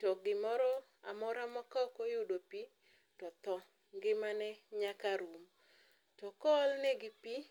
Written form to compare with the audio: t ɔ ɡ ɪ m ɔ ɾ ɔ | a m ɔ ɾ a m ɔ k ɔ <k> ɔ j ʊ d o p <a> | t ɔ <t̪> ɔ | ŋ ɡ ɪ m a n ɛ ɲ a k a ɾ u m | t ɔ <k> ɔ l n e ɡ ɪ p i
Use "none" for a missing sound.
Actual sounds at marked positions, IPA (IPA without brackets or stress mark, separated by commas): k, i, t̪, k